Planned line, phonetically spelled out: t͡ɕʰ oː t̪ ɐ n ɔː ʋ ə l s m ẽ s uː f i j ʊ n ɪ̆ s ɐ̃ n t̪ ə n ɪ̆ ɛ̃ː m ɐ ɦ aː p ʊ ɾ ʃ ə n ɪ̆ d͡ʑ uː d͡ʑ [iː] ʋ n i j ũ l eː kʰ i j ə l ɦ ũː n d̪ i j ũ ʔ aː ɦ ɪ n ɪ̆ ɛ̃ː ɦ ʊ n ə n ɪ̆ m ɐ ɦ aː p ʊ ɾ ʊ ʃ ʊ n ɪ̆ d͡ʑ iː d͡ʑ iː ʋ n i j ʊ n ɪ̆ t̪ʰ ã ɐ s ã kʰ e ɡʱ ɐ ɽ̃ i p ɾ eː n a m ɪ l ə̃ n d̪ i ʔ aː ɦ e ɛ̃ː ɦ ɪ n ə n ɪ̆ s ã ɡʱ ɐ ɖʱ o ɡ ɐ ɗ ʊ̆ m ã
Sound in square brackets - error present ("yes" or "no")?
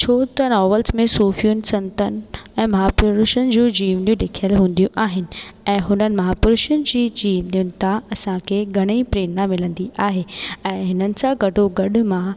no